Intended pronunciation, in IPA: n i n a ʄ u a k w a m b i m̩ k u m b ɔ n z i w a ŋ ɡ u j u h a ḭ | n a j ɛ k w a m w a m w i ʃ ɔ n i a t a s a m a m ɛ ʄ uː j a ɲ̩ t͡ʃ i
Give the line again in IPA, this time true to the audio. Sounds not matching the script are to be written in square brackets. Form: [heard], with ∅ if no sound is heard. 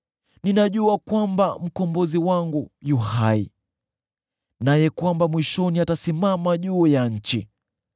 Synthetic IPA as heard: n i n a ʄ u a k w a m b [a] m̩ k [ɔ] m b ɔ [∅] z i w a ŋ ɡ u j u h a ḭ | n a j ɛ k w a m [b] a m w i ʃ ɔ n i a t a s [i] m a m [a] ʄ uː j a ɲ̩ t͡ʃ i